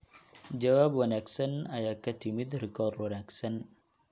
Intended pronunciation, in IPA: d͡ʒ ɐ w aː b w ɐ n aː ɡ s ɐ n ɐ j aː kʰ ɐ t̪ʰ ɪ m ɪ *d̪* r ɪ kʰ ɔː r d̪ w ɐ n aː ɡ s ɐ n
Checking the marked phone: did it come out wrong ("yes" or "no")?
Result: no